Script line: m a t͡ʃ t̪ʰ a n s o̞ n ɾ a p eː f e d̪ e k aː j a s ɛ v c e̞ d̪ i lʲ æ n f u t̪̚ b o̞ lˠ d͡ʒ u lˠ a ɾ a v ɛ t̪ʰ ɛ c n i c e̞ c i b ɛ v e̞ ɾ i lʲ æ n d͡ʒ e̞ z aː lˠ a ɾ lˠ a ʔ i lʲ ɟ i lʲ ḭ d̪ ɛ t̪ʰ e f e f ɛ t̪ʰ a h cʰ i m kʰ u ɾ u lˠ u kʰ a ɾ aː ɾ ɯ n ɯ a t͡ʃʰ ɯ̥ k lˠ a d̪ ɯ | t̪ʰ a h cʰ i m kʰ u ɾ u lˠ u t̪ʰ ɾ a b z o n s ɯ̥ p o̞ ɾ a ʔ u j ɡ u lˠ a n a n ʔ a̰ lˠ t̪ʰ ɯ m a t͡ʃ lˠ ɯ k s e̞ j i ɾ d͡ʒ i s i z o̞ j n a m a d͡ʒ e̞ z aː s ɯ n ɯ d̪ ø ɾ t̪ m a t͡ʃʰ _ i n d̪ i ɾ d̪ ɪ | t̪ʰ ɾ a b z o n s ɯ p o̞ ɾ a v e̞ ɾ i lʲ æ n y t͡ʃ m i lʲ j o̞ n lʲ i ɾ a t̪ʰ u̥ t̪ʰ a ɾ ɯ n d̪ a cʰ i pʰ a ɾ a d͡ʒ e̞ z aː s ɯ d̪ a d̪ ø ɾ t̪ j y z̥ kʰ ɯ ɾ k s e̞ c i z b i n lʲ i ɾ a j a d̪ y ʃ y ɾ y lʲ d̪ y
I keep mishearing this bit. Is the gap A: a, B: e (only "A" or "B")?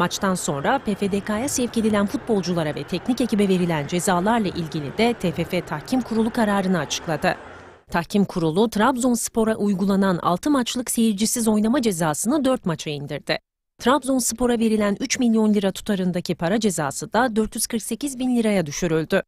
A